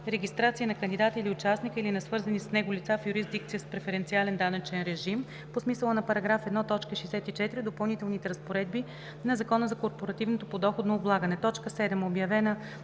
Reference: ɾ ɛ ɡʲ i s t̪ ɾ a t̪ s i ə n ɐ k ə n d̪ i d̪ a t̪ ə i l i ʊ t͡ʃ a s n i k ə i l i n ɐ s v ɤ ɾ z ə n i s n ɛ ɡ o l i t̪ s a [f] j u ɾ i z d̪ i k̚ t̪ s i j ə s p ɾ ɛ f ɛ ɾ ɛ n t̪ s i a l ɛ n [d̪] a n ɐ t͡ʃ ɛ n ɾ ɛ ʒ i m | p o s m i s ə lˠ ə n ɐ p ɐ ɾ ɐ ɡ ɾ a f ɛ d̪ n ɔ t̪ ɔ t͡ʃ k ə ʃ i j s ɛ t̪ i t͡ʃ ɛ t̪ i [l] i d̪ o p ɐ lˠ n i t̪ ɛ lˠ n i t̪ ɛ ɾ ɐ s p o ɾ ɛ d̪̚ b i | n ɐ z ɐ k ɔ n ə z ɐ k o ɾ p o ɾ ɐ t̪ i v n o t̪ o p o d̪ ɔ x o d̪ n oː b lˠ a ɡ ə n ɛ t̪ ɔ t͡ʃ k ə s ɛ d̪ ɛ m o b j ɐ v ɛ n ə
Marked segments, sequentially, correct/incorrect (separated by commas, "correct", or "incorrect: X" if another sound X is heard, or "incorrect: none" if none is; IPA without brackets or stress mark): correct, correct, incorrect: ɾ